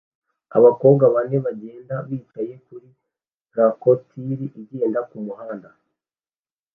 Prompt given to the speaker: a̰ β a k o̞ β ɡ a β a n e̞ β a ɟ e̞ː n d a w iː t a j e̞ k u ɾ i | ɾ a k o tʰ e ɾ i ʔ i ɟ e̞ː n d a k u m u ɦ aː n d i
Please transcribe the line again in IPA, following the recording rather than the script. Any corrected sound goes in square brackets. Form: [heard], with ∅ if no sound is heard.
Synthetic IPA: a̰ β a k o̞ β ɡ a β a n e̞ β a ɟ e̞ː n d a [β] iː t a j e̞ k u ɾ i | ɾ a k o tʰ [i] ɾ i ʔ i ɟ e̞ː n d a k u m u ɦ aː n d [a]